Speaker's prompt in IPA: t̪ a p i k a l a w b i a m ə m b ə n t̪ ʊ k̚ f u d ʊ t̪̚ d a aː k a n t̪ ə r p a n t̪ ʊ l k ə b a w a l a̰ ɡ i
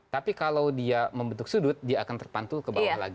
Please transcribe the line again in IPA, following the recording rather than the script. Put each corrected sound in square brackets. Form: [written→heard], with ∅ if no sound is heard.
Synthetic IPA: t̪ a p i k a l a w [b→d] i a m ə m b ə n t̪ ʊ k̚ [f→s] u d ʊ t̪̚ d [a→i] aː k a n t̪ ə r p a n t̪ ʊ l k ə b a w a l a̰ ɡ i